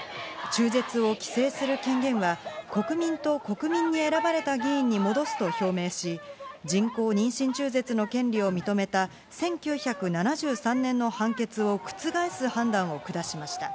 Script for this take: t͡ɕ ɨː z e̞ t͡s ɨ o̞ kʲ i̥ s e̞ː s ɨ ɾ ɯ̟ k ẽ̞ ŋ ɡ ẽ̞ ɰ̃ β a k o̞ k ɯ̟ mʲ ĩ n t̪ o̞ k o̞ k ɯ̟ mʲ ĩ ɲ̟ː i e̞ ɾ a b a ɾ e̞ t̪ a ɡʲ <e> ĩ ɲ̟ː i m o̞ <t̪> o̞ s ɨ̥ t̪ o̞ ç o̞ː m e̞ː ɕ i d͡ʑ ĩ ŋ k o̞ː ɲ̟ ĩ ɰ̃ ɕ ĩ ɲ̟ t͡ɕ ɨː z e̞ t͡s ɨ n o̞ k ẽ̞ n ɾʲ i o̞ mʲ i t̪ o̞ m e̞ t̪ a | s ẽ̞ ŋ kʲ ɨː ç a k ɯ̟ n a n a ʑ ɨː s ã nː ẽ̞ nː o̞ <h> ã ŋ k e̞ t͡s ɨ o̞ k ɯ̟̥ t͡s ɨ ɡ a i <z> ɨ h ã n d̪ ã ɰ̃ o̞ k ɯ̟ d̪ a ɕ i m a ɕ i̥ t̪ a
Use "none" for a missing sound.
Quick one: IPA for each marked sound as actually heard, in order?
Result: i, d̪, h, s

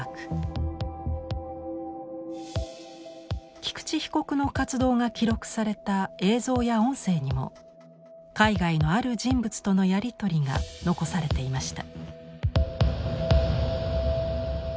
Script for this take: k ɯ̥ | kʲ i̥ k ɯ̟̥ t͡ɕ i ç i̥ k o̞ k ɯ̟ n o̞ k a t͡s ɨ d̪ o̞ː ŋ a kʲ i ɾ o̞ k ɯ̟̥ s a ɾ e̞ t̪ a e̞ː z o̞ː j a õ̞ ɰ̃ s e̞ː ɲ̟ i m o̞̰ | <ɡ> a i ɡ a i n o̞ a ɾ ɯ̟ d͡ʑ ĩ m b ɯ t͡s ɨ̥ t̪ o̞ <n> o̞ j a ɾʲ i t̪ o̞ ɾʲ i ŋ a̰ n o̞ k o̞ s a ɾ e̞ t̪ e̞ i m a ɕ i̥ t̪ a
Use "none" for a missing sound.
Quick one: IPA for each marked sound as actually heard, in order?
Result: k, n

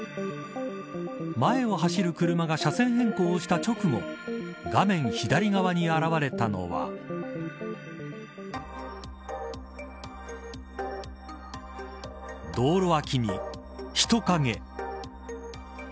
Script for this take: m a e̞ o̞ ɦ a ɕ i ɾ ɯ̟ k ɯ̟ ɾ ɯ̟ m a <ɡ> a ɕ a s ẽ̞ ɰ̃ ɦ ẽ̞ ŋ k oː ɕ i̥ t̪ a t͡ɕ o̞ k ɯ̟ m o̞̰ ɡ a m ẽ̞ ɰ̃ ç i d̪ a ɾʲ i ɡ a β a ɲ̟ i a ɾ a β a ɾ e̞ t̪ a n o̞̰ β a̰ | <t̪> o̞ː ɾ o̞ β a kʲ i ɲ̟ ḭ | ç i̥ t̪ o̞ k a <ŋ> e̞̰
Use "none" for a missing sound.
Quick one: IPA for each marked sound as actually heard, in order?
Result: ɡ, d̪, ŋ

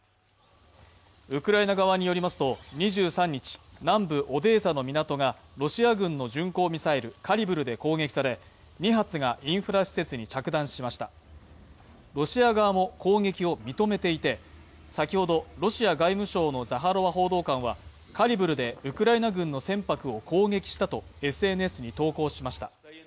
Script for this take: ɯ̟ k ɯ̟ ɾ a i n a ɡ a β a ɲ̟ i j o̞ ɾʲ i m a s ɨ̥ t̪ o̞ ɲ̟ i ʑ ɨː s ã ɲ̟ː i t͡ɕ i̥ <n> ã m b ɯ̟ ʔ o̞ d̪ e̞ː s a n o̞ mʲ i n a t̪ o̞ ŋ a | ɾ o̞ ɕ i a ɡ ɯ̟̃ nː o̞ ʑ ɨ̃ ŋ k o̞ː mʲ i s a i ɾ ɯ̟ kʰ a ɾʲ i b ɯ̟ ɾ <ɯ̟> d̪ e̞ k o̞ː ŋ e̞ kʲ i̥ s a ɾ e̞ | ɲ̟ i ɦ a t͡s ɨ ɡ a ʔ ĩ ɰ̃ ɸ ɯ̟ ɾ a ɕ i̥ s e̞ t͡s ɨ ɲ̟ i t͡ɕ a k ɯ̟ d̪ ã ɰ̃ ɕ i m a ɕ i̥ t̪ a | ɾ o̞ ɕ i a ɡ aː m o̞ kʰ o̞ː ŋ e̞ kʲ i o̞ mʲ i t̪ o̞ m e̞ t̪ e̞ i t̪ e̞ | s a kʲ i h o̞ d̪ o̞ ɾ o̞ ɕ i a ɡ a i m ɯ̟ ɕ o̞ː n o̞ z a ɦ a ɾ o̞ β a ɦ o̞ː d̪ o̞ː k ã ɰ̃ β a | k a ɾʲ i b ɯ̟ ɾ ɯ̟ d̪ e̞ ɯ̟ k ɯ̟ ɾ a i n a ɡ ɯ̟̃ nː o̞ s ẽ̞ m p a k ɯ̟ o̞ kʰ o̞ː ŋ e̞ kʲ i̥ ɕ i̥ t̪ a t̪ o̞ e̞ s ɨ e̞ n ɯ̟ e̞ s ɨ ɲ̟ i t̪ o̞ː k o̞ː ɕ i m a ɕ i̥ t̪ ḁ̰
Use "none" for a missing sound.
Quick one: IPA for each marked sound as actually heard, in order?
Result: n, ɯ̟

